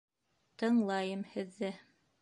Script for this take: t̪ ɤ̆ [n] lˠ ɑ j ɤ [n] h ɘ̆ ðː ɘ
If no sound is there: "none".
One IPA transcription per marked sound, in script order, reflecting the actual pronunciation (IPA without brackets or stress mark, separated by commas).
ɴ, m